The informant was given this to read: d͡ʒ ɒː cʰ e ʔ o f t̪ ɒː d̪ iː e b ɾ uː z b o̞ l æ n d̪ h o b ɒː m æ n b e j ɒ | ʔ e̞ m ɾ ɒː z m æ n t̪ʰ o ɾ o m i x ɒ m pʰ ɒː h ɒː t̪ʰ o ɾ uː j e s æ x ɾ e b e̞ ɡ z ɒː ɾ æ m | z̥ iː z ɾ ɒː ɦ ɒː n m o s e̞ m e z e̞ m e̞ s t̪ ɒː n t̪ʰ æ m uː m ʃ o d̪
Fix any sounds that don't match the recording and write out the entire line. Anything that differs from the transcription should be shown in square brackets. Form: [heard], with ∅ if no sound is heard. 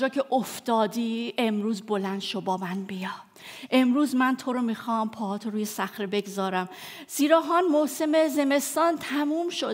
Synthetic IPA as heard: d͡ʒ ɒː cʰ e ʔ o f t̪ ɒː d̪ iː e [m] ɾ uː z b o̞ l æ n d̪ [ʃ] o b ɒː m æ n b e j ɒ | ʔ e̞ m ɾ [uː] z m æ n t̪ʰ o ɾ o m i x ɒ m pʰ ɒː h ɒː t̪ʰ o ɾ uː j e s æ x ɾ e b e̞ ɡ z ɒː ɾ æ m | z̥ iː [∅] ɾ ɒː ɦ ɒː n m o s e̞ m e z e̞ m e̞ s t̪ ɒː n t̪ʰ æ m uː m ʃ o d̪